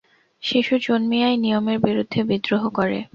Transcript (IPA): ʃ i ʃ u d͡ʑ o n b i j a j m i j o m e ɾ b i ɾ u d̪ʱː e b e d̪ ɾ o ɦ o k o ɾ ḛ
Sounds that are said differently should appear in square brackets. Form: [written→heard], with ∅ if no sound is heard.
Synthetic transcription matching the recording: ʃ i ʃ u d͡ʑ o n [b→m] i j a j [m→n] i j o m e ɾ b i ɾ u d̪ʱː e b [e→i] d̪ ɾ o ɦ o k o ɾ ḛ